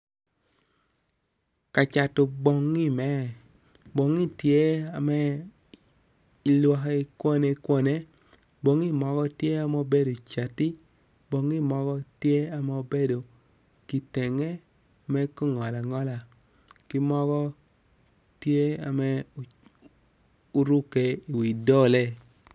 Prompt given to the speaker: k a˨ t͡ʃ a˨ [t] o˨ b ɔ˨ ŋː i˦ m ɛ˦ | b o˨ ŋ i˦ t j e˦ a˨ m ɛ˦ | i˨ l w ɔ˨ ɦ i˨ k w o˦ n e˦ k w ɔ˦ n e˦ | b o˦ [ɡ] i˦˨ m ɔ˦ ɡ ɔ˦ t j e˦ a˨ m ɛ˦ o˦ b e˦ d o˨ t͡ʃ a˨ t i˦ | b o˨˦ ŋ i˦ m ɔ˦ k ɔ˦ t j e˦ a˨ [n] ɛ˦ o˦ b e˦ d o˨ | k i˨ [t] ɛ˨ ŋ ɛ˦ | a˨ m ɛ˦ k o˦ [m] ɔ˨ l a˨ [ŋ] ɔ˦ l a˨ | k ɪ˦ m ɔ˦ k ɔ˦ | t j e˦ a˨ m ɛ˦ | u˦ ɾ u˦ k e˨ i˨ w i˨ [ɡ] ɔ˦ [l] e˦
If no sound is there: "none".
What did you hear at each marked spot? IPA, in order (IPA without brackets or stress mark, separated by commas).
t, ŋ, m, t, ŋ, ŋ, d, l